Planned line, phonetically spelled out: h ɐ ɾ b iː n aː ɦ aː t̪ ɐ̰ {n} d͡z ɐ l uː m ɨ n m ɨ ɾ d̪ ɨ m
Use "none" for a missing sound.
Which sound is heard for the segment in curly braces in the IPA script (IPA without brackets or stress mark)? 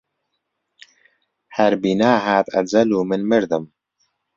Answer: none